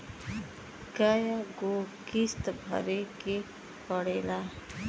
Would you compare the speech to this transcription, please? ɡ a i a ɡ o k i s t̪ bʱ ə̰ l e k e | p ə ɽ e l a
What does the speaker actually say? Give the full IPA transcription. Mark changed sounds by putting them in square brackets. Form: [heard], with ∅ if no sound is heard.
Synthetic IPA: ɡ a [j] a ɡ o k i s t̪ bʱ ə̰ [ɾ] e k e | p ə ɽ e l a